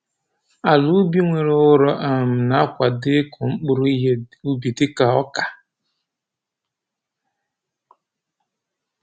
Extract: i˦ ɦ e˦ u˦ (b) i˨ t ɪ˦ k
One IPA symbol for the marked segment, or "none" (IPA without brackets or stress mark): b